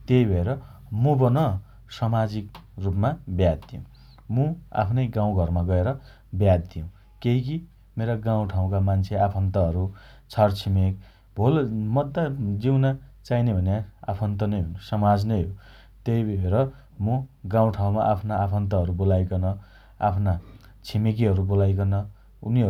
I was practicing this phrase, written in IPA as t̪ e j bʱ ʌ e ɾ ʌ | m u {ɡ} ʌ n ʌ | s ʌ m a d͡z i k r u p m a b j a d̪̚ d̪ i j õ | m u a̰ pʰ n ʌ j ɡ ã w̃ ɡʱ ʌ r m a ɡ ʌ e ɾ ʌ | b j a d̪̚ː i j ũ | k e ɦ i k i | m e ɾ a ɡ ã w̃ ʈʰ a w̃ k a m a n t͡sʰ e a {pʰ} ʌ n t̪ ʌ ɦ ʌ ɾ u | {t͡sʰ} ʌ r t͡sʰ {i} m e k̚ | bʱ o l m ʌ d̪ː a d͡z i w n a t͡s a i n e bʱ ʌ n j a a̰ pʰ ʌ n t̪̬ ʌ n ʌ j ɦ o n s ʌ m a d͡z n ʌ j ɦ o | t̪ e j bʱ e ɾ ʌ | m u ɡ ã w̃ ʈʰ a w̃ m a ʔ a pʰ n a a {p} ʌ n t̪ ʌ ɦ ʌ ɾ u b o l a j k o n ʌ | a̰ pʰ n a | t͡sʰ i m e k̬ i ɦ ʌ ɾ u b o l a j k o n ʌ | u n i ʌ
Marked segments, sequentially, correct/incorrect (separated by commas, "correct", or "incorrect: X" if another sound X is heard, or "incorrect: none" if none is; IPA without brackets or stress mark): incorrect: b, correct, correct, correct, incorrect: pʰ